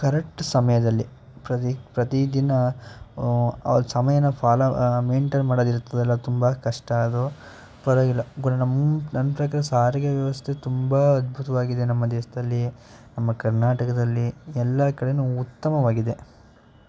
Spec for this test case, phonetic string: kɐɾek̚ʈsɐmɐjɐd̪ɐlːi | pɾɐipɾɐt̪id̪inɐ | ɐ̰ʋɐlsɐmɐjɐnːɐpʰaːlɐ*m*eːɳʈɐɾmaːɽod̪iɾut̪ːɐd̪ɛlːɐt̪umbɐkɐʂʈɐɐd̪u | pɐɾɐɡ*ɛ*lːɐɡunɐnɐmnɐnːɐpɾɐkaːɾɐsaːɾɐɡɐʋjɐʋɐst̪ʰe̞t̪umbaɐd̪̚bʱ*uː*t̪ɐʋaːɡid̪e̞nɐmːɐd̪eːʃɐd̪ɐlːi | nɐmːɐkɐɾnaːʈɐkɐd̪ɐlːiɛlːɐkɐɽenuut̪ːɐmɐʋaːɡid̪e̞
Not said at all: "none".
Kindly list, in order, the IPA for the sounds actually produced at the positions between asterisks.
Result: m, i, u

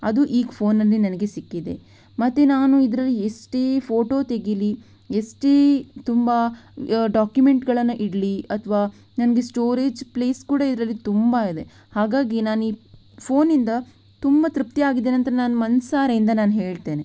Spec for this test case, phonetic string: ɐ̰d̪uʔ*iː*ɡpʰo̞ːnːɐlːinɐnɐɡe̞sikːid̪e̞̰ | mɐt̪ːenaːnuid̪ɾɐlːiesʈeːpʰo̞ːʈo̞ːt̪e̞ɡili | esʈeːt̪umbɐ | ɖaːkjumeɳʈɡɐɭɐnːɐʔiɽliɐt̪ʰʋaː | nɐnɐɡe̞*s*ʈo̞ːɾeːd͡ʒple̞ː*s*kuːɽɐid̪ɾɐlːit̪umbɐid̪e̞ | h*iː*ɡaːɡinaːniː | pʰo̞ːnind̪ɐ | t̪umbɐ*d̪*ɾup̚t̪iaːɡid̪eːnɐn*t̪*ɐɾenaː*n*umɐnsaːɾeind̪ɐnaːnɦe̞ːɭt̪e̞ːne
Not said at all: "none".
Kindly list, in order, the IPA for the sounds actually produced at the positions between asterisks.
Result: iː, s, s, aː, t̪, t̪, n

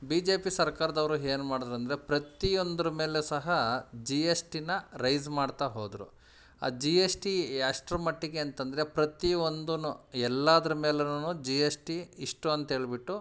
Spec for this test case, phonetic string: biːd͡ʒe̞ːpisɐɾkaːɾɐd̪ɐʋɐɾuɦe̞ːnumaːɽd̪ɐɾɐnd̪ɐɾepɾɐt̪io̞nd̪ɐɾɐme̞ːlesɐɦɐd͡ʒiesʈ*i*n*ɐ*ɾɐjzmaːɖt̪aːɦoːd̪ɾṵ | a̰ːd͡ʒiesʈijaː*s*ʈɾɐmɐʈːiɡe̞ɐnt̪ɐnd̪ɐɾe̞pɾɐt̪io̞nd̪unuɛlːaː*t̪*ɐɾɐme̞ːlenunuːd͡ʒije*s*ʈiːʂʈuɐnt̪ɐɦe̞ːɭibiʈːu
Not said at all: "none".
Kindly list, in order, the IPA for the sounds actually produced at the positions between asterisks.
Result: i, ɐ, ʂ, d̪, s

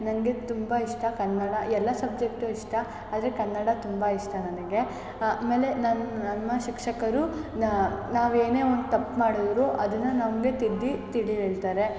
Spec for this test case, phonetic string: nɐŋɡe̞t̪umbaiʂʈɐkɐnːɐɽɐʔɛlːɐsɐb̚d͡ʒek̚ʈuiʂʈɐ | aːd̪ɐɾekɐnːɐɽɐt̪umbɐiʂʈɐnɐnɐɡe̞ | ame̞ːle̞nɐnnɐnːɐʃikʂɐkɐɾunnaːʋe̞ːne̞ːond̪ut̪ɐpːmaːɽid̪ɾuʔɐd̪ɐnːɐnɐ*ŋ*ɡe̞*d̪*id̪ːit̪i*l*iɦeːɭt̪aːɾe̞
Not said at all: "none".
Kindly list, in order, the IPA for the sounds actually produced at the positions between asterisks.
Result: m, t̪, ɽ

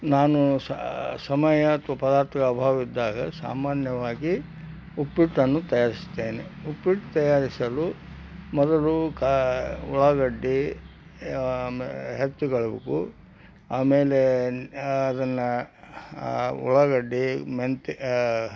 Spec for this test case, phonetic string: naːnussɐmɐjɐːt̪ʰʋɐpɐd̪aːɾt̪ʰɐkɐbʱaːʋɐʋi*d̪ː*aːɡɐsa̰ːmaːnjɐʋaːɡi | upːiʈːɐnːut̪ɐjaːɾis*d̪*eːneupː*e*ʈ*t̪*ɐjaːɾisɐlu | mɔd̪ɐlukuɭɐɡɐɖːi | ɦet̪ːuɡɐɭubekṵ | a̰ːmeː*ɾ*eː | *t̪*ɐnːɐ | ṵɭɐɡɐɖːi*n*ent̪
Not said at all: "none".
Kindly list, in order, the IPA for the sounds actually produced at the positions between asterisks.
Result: d̪ː, t̪, i, t̪, l, d̪, m

